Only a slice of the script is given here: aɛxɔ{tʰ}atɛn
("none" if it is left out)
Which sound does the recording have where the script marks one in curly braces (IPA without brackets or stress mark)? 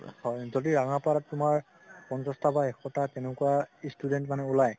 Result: t